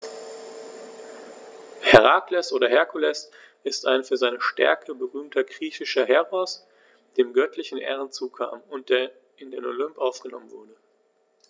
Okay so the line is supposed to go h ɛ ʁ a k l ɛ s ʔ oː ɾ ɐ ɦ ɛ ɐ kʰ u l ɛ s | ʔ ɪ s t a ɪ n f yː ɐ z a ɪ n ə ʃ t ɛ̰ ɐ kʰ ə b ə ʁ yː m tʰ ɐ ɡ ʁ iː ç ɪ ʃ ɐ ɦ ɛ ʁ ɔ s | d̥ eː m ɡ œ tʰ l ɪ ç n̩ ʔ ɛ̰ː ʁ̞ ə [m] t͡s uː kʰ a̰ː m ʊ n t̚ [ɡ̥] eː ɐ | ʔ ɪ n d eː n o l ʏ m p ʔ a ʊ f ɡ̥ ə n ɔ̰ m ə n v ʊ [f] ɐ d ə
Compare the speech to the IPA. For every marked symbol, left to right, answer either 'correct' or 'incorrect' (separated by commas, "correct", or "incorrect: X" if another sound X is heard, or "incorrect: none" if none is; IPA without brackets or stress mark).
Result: incorrect: n, incorrect: d̥, incorrect: none